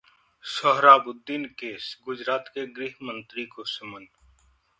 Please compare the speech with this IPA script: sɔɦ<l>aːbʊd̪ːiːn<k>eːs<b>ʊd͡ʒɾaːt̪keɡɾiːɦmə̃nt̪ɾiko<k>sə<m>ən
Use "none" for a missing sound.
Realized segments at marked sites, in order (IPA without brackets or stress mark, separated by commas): ɾ, k, ɡ, none, m